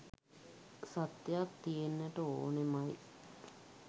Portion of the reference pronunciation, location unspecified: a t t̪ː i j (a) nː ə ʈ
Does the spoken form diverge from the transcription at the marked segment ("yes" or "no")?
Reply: yes